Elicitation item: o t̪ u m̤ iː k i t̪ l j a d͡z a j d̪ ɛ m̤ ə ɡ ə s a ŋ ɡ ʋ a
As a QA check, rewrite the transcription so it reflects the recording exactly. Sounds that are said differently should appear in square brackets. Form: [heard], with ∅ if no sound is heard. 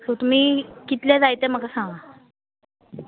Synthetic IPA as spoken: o t̪ u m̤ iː k i t̪ l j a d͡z a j [t̪] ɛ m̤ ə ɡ [a] s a ŋ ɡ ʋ a